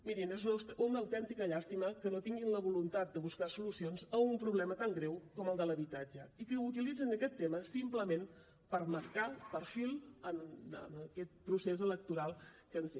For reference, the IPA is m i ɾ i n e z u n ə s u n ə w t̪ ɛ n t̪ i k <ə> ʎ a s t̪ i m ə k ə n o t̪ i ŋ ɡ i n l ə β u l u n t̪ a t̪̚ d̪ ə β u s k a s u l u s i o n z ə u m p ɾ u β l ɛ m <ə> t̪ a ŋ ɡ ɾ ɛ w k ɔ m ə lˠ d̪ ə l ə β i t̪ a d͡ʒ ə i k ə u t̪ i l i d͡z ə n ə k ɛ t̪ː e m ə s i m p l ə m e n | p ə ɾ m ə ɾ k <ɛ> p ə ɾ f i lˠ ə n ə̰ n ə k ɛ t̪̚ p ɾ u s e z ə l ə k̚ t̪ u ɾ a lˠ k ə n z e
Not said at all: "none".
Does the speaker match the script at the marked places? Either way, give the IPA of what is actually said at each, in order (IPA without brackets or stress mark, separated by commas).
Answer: ə, ə, a